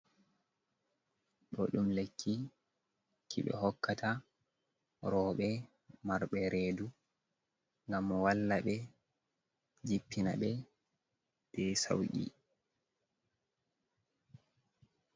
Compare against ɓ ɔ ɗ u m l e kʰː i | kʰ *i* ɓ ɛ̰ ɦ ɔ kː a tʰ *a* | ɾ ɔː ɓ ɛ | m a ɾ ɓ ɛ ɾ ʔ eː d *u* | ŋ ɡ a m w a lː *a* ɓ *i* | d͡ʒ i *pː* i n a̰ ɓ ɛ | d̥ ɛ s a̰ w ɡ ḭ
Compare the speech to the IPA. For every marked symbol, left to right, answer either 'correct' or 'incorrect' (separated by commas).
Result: correct, correct, correct, correct, incorrect, correct